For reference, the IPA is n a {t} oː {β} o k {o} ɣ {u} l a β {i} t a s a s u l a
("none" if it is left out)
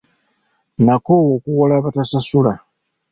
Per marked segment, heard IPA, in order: k, w, u, o, a

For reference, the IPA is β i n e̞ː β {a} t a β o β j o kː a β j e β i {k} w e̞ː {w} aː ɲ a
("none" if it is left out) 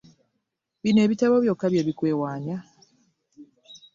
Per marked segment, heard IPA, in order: i, k, w

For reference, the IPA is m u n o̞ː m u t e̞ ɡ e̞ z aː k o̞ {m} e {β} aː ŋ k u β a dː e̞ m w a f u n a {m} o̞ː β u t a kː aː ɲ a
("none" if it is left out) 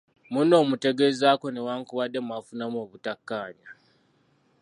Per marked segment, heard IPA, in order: n, w, m

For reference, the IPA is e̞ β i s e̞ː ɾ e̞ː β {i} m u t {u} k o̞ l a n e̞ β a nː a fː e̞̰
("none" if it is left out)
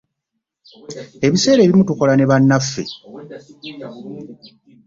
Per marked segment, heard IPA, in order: i, u

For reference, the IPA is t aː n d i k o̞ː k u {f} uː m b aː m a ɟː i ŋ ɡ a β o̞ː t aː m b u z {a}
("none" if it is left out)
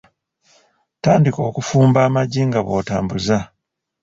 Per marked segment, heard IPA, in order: f, a

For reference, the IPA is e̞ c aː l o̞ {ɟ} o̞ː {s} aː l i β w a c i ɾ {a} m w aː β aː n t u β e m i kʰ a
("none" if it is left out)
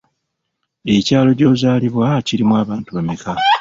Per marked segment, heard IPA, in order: ɟ, z, i

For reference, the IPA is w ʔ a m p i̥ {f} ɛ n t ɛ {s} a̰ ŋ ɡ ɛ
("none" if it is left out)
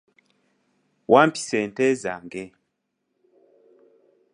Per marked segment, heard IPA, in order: s, z

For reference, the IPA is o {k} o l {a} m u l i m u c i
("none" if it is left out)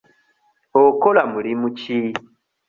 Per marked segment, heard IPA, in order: k, a

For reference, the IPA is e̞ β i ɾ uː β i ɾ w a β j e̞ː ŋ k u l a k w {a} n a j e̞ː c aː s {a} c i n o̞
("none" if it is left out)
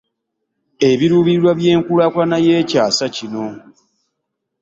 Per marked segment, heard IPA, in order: a, a

